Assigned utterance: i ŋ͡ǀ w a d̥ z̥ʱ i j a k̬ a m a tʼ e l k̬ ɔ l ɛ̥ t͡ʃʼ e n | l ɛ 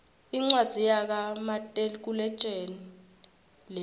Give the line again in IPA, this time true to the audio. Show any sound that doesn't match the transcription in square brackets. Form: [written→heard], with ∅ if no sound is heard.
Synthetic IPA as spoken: i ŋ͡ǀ w a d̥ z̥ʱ i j a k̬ a m a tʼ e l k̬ [ɔ→u] l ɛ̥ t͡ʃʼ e n | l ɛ

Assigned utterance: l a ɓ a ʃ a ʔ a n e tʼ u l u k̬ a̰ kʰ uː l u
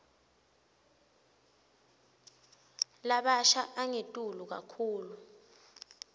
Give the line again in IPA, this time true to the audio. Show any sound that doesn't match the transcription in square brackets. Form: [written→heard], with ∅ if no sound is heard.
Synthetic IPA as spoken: l a ɓ a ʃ a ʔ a [n→ŋ] e tʼ u l u k̬ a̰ kʰ uː l u

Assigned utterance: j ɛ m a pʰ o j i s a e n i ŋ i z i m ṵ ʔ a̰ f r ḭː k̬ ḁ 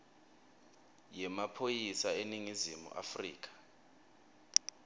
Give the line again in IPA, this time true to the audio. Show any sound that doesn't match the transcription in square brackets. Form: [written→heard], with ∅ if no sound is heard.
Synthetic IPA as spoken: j ɛ m a pʰ o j i s a e n i ŋ i z i m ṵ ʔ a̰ f r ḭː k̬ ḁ

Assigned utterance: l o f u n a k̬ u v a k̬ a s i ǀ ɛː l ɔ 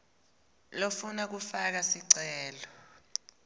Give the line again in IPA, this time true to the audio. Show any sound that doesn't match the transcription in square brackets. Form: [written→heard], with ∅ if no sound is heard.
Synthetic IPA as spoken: l o f u n a k̬ u [v→f] a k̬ a s i ǀ ɛː l ɔ

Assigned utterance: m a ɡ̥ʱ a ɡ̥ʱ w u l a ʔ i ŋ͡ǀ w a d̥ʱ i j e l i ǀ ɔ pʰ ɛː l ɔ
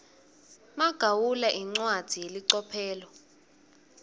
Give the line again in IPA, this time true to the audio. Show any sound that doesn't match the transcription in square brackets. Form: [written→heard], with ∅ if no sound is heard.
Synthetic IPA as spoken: m a ɡ̥ʱ a [ɡ̥ʱ→∅] w u l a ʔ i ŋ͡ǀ w a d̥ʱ i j e l i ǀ ɔ pʰ ɛː l ɔ

